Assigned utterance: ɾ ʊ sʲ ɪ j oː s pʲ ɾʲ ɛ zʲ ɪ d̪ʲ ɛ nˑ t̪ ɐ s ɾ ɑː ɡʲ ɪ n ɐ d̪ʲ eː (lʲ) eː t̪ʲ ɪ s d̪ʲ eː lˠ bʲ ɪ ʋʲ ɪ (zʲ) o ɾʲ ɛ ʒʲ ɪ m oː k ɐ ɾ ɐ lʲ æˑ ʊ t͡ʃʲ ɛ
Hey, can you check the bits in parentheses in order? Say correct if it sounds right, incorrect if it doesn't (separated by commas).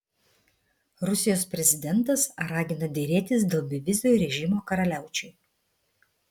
incorrect, correct